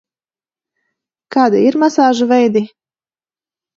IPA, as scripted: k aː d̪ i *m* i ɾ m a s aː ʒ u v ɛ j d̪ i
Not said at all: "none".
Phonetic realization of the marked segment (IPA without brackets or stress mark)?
none